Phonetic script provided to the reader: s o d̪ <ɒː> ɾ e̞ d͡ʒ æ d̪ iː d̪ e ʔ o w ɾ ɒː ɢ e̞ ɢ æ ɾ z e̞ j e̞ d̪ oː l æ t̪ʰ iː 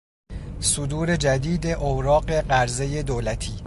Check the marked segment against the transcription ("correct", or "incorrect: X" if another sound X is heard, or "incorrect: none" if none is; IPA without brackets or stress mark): incorrect: uː